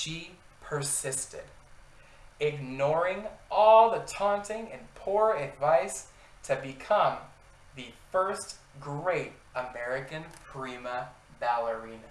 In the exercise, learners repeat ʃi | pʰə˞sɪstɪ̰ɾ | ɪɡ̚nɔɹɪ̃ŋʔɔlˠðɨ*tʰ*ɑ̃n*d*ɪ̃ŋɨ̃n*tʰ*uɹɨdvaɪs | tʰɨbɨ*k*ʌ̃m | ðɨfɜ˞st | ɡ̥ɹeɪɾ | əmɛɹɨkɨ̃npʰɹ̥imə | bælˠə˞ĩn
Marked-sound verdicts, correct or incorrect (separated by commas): correct, incorrect, incorrect, incorrect